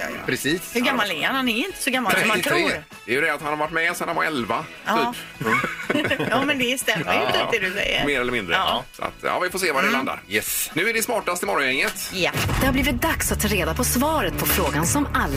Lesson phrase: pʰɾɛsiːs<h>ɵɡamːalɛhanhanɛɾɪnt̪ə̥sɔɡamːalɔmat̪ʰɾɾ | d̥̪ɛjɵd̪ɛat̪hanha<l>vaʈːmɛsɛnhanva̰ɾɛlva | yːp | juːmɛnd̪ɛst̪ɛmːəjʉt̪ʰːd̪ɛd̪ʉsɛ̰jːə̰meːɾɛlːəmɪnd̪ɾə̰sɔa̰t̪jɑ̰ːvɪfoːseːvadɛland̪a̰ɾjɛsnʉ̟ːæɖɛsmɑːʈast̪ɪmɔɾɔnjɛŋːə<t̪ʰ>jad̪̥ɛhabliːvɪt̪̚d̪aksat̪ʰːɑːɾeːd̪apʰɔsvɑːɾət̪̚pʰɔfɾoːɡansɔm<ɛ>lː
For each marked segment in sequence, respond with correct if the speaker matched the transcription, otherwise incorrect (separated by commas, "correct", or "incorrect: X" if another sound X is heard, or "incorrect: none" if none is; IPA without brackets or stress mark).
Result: correct, incorrect: ɾ, incorrect: t̪, incorrect: a